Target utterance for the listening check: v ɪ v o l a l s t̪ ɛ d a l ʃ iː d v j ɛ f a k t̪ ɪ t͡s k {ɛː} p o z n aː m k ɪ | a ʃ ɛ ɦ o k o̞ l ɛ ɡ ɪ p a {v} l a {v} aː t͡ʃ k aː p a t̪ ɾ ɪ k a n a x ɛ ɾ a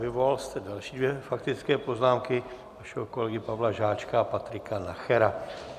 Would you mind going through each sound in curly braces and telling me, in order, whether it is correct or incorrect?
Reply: correct, correct, incorrect: ʒ

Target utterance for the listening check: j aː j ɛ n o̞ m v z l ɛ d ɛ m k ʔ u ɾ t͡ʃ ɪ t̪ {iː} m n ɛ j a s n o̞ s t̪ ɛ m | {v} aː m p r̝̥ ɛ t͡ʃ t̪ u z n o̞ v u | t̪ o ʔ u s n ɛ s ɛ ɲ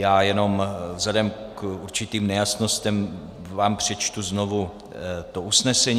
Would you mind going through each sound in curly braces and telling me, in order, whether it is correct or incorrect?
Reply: correct, correct

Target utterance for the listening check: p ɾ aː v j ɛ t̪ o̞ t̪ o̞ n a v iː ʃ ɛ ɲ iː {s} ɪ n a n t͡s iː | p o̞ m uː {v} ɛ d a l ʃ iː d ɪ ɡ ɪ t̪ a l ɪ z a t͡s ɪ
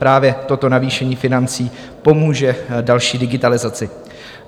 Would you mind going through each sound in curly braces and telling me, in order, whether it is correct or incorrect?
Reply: incorrect: f, incorrect: ʒ

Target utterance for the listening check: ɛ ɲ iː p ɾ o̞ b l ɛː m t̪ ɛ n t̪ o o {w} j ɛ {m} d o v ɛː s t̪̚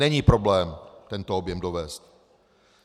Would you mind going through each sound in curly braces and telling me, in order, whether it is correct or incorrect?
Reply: incorrect: b, correct

